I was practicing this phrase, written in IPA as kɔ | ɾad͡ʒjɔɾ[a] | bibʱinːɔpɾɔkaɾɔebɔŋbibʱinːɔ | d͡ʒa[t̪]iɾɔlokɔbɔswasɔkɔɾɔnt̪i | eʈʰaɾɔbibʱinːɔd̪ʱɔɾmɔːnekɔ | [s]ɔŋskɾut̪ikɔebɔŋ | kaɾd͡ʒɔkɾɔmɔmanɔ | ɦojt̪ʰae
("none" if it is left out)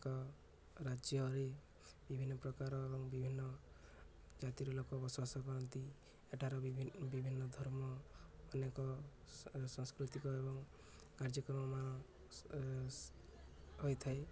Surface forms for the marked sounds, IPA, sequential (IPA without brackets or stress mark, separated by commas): e, t̪, s